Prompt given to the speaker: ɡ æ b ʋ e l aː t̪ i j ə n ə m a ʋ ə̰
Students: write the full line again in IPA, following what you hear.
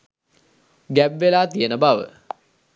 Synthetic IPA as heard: ɡ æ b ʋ e l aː t̪ i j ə n ə b a ʋ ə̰